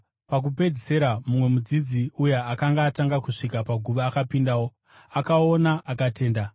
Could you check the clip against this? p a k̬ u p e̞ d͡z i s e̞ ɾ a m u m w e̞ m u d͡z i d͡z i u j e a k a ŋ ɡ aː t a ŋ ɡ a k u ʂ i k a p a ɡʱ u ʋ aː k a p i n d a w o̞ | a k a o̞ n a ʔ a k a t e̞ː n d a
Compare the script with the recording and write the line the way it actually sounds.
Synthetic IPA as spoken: p a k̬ u p e̞ d͡z i s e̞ ɾ a m u m w e̞ m u d͡z i d͡z i u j e a k a ŋ ɡ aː t a ŋ ɡ a k u ʂ i k a p a ɡʱ u ʋ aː k a p i n d a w o̞ | a k a o̞ n a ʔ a k a t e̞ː n d a